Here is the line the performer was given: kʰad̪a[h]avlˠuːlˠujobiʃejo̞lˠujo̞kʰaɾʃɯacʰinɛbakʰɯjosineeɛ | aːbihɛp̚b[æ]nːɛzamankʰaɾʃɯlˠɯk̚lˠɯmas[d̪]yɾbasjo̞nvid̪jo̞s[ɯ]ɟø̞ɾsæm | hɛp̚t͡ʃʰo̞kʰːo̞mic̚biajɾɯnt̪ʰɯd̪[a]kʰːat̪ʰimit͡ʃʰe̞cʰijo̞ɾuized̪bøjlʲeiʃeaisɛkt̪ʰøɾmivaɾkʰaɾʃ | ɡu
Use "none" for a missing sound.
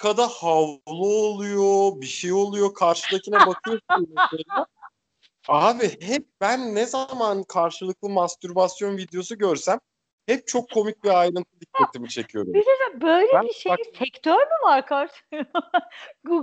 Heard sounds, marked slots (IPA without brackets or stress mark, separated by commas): h, æ, t̪, u, i